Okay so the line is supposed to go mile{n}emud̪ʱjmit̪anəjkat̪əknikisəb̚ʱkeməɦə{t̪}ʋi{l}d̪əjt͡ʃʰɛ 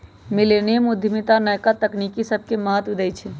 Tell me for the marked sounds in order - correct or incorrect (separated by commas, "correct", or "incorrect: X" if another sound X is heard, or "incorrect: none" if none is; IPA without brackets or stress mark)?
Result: correct, correct, incorrect: none